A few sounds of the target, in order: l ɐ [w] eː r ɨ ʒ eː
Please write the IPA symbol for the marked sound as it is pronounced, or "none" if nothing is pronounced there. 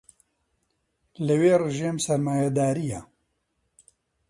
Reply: w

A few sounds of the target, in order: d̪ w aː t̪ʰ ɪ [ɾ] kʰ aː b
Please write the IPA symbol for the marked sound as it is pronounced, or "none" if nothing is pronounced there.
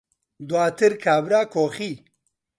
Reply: ɾ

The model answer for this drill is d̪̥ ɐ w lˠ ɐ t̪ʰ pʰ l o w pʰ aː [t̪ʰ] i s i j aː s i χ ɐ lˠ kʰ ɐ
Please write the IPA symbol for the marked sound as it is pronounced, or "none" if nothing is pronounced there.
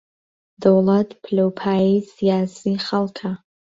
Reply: none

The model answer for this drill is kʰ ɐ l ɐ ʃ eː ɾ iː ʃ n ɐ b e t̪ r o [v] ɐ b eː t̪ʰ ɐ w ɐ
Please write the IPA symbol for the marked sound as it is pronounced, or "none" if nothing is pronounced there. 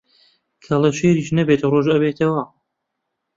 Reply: ʒ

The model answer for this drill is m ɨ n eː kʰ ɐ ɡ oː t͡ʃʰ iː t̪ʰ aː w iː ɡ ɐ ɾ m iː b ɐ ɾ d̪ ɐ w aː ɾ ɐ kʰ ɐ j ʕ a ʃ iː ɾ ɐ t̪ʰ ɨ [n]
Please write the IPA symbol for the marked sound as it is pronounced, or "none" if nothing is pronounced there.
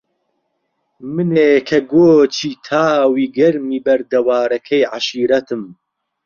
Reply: m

